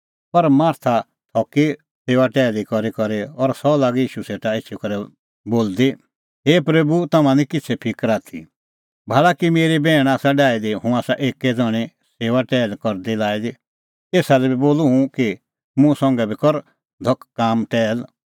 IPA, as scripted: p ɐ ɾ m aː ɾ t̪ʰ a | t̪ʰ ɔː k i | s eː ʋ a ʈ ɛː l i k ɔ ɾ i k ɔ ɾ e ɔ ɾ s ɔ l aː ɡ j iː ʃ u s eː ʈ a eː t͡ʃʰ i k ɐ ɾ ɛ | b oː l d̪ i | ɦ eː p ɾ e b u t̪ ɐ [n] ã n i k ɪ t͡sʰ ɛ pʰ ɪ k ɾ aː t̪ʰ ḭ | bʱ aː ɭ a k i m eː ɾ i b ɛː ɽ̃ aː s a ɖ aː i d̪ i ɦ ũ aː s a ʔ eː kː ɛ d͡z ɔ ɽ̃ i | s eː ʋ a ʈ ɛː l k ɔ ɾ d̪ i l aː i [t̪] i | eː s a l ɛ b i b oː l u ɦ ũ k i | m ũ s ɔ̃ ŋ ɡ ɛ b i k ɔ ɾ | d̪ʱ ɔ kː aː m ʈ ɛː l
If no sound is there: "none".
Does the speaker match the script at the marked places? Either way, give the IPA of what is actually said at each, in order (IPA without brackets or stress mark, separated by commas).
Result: m, d̪